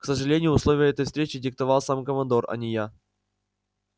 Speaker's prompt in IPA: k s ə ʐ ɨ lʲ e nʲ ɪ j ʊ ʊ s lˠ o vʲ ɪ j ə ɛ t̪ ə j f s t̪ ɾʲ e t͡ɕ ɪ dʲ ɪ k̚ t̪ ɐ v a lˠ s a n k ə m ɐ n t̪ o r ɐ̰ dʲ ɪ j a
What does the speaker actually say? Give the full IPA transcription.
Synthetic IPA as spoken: k s ə ʐ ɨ lʲ e nʲ ɪ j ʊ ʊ s lˠ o vʲ ɪ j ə ɛ t̪ ə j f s t̪ ɾʲ e t͡ɕ ɪ dʲ ɪ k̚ t̪ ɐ v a lˠ s a m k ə m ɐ n d̪ o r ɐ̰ nʲ ɪ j a